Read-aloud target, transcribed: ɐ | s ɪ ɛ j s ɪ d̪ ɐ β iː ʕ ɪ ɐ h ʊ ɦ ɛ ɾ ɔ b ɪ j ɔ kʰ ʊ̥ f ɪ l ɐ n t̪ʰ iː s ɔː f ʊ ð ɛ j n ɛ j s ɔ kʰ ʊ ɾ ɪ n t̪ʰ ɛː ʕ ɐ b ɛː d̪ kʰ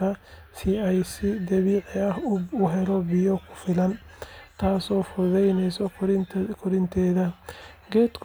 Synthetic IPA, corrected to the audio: ɐ | s ɪ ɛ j s ɪ d̪ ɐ β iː ʕ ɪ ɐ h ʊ ɦ ɛ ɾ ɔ b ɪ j ɔ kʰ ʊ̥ f ɪ l ɐ n t̪ʰ aː s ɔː f ʊ ð ɛ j n ɛ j s ɔ kʰ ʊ ɾ ɪ n t̪ʰ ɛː ð ɐ ɡ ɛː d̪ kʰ